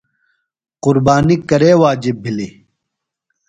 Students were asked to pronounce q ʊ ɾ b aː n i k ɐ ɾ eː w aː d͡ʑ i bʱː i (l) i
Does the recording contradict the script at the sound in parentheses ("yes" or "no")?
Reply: no